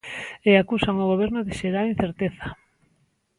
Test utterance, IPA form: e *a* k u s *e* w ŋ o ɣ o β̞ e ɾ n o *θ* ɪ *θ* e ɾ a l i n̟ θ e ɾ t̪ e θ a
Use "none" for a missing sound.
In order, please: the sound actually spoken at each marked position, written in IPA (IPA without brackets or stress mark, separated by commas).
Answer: a, a, ð, ʃ